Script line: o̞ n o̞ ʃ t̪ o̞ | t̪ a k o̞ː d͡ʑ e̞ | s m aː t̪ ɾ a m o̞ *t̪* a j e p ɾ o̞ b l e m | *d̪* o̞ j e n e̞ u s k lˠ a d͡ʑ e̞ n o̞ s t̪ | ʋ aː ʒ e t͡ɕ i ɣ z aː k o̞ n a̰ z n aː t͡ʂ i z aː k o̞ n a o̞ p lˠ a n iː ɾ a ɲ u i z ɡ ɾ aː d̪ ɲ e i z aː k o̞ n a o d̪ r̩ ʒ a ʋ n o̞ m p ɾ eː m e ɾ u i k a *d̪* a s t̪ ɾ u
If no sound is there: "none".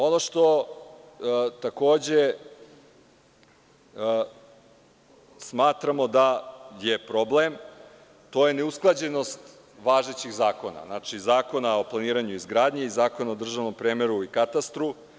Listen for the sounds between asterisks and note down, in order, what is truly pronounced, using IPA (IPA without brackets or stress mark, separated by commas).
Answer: d̪, t̪, t̪